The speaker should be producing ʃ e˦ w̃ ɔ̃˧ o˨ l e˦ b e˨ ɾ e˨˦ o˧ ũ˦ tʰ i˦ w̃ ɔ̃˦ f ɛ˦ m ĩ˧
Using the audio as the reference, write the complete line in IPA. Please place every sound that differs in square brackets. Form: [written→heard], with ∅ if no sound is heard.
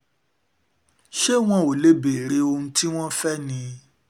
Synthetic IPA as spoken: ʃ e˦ w̃ ɔ̃˧ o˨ l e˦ b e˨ ɾ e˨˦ o˧ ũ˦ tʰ i˦ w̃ ɔ̃˦ f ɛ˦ [m→n] ĩ˧